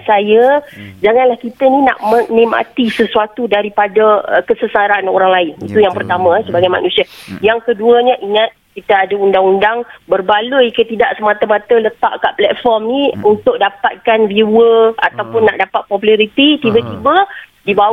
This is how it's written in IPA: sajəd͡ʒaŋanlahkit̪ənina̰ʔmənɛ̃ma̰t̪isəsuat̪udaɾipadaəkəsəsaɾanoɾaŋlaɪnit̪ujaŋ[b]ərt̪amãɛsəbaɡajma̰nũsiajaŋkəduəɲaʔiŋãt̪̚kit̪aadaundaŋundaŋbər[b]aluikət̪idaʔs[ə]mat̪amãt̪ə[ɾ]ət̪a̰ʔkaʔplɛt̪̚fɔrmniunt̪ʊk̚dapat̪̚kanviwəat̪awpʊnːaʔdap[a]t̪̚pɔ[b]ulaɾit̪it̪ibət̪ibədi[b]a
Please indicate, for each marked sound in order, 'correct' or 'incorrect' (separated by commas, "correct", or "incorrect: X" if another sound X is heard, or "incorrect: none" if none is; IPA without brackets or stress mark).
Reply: incorrect: p, correct, correct, incorrect: l, correct, incorrect: p, correct